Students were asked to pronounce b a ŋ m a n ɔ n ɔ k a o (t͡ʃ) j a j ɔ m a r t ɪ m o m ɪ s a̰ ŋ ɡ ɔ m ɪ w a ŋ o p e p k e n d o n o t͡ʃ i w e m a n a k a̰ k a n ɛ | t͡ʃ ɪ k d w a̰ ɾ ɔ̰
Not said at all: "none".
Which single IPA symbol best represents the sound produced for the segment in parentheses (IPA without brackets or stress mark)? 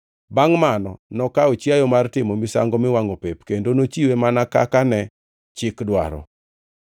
t͡ʃ